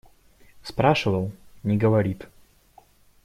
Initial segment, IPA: s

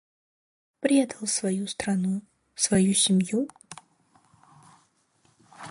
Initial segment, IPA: p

